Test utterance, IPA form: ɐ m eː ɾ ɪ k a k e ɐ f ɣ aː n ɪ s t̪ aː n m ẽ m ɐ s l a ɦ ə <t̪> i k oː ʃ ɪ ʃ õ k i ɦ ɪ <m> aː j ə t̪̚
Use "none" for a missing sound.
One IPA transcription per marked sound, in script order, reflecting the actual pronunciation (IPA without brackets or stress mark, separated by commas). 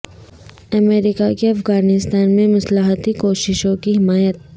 t̪, m